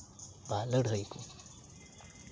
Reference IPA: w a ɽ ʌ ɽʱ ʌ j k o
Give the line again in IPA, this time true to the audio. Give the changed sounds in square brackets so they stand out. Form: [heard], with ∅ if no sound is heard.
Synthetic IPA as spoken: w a [l] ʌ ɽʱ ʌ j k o